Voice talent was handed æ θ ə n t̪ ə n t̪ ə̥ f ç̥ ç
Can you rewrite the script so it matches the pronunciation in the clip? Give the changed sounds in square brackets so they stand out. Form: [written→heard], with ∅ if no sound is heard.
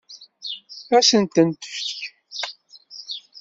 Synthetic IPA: æ [θ→s] ə n t̪ ə n t̪ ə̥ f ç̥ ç